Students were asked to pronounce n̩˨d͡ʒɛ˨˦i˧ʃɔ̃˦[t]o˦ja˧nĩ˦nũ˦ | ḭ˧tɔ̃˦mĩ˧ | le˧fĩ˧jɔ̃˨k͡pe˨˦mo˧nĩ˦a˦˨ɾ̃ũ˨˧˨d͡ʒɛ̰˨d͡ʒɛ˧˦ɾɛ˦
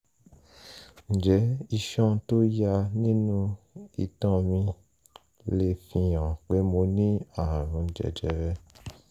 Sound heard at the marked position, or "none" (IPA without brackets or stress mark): t